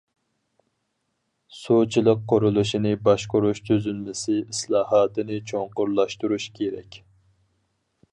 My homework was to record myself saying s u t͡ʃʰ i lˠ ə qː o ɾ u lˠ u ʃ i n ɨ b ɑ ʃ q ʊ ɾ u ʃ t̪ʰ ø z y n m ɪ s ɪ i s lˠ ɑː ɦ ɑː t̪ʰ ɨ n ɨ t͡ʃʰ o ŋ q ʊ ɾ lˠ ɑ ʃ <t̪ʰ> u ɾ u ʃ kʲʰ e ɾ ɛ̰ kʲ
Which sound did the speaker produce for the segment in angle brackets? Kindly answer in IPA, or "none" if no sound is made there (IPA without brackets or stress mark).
t̪